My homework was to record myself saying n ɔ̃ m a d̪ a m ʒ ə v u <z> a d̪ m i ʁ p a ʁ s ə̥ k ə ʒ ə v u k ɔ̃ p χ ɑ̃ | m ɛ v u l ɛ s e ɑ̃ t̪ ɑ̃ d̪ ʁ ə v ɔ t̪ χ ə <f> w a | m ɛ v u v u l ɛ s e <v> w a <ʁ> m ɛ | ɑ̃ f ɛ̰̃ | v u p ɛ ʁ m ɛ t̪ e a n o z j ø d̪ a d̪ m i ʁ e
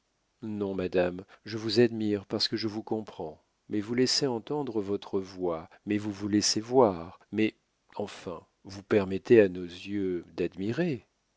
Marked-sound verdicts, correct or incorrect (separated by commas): correct, incorrect, correct, correct